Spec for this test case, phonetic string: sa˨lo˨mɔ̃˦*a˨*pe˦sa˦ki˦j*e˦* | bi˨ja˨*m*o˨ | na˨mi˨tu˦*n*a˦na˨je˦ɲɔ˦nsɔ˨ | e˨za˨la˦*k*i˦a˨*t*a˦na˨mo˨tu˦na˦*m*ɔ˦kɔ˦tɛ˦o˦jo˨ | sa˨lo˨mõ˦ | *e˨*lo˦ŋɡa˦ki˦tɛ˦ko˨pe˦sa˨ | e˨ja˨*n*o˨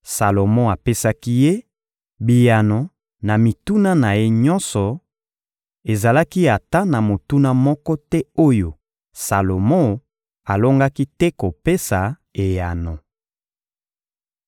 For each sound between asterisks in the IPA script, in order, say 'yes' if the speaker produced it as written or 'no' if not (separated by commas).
yes, yes, no, yes, yes, yes, yes, no, yes